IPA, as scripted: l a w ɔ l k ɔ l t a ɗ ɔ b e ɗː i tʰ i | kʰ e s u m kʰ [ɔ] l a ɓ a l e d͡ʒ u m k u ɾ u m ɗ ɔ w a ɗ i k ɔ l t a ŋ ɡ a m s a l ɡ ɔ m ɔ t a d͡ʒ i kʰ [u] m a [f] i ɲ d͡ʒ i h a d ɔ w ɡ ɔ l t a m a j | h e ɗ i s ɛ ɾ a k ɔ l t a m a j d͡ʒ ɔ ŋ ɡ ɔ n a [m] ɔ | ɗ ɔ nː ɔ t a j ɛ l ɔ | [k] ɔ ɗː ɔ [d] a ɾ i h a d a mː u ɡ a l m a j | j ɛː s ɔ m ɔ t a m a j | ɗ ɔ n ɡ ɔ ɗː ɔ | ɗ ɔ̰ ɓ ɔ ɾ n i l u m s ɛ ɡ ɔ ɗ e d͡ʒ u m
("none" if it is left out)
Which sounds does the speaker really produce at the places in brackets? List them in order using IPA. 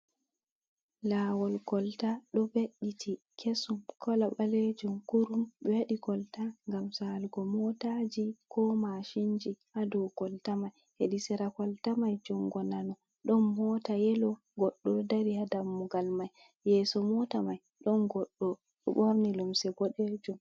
ɔ, ɔ, ʃ, n, ɡ, d

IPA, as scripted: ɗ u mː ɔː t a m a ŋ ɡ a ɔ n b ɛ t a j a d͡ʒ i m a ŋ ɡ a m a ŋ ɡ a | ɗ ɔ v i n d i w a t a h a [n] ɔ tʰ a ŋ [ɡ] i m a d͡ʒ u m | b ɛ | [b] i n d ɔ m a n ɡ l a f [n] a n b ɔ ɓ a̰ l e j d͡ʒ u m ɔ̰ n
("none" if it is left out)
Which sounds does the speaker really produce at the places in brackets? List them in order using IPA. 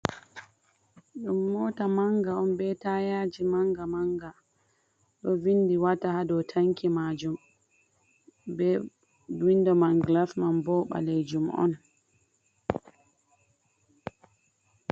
d, k, w, m

